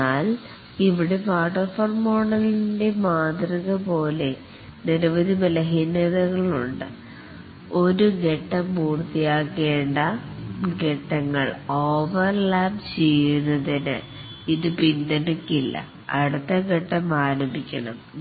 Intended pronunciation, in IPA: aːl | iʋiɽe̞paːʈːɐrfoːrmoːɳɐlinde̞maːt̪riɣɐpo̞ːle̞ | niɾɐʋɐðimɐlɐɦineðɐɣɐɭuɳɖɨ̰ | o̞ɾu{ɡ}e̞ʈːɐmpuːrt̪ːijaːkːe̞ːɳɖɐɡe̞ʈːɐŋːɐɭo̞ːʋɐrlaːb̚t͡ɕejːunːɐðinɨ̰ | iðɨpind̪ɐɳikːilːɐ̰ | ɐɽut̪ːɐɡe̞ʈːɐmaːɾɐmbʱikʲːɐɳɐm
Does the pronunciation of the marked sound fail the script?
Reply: no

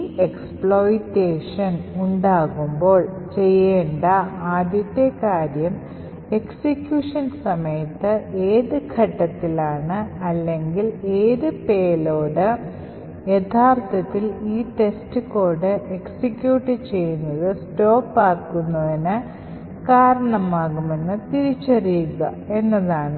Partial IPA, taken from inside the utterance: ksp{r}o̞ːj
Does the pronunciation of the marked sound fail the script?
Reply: yes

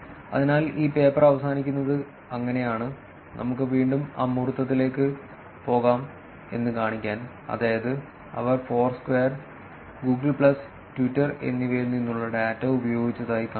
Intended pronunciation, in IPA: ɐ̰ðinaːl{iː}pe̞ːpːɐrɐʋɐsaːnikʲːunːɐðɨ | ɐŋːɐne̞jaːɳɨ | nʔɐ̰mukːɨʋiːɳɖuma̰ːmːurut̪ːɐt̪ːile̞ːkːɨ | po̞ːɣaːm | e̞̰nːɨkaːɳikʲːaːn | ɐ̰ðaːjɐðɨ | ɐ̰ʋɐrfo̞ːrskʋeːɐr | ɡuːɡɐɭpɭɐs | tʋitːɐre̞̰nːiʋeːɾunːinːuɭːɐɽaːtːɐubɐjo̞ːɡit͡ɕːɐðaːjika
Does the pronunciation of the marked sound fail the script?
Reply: no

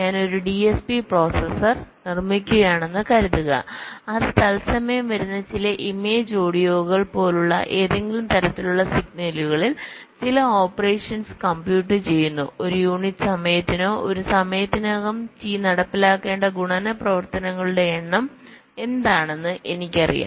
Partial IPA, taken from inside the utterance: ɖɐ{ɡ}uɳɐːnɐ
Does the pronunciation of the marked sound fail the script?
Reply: no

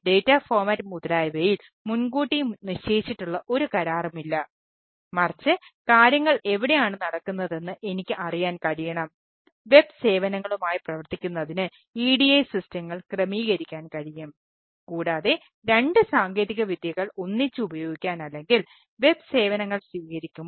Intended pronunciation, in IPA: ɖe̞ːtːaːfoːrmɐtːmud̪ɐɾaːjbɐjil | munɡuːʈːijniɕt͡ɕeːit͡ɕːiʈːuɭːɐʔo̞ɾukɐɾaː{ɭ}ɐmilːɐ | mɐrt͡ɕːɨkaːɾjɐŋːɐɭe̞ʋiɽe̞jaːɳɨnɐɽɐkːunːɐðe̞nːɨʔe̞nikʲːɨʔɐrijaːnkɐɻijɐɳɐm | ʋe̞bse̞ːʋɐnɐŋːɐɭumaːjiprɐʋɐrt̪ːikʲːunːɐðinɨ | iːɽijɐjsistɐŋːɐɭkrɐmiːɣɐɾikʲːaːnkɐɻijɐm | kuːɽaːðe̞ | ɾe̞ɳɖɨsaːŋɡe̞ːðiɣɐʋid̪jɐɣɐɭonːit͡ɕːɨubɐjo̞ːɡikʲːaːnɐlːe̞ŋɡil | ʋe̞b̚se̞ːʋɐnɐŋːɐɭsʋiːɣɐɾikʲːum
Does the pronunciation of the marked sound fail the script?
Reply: yes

